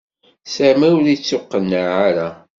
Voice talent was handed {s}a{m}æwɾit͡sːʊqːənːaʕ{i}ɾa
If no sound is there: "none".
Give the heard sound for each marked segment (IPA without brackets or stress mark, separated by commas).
s, m, a